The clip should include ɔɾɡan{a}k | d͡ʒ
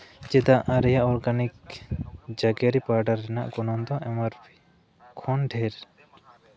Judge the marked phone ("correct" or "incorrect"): incorrect